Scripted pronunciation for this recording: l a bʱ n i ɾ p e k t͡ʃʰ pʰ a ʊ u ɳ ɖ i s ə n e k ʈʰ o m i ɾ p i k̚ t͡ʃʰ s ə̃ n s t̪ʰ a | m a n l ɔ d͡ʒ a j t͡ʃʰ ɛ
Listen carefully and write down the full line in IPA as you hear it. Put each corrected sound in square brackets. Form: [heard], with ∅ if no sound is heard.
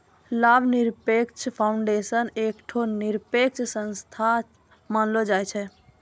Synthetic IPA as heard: l a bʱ n i ɾ p e k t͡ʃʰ pʰ a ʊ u ɳ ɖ [e] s ə n e k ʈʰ o [n] i ɾ p [e] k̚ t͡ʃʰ s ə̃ n s t̪ʰ a | m a n l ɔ d͡ʒ a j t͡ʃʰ ɛ

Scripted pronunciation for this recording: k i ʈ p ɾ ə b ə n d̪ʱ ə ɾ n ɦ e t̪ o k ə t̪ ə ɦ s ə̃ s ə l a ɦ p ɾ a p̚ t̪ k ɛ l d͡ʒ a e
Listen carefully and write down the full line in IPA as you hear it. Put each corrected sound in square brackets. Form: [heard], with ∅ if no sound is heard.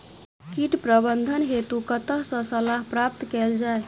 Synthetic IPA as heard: k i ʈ p ɾ ə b ə n d̪ʱ ə [∅] n ɦ e t̪ [u] k ə t̪ ə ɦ s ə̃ s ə l a ɦ p ɾ a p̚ t̪ k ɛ l d͡ʒ a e

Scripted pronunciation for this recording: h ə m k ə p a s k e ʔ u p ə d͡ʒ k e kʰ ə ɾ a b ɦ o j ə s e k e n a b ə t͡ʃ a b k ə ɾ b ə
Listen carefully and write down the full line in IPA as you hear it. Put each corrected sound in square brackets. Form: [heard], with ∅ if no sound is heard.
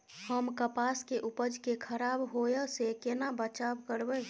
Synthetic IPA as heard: h ə m k ə p a s k e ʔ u p ə d͡ʒ k e kʰ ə ɾ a b ɦ o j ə s e k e n a b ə t͡ʃ a b k ə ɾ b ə

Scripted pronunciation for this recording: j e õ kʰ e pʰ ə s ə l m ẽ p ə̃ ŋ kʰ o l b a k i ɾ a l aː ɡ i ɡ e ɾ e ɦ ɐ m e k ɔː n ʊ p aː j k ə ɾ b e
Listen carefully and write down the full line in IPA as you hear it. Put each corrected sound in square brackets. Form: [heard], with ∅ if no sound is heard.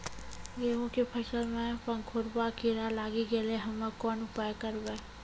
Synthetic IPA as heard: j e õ [k] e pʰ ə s ə l m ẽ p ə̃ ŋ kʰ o [ɾ] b a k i ɾ a l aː ɡ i ɡ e [l] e ɦ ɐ m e k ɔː n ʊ p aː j k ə ɾ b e

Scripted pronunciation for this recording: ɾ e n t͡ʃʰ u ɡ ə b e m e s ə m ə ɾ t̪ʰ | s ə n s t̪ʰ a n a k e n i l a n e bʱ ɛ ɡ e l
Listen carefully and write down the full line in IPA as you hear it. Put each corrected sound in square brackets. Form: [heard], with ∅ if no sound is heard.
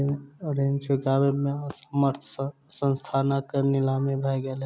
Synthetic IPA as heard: ɾ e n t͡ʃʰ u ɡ [a] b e m e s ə m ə ɾ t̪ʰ | s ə n s t̪ʰ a n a k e n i l a [m] e bʱ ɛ ɡ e l

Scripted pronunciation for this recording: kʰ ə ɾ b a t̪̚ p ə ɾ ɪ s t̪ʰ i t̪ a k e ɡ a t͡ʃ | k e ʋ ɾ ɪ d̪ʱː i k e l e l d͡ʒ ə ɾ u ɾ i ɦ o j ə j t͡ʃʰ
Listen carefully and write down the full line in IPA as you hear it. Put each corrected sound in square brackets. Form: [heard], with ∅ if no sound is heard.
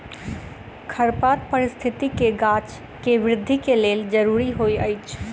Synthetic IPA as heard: kʰ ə ɾ [p] a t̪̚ p ə ɾ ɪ s t̪ʰ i t̪ [i] k e ɡ a t͡ʃ | k e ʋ ɾ ɪ d̪ʱː i k e l e l d͡ʒ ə ɾ u ɾ i ɦ o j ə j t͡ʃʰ

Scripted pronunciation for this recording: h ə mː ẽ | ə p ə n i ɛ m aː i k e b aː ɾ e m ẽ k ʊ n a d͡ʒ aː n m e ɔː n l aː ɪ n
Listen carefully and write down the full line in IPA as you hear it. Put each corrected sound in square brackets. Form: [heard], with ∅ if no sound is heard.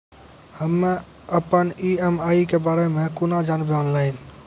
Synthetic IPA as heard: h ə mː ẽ | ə p ə n i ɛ m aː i k e b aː ɾ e m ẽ k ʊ n a d͡ʒ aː n [b] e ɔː n l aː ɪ n

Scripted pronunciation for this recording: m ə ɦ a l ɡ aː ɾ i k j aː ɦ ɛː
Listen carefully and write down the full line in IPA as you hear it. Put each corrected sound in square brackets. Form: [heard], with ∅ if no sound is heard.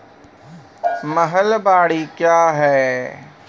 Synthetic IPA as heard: m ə ɦ [ə] l [b] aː [ɽ] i k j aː ɦ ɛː

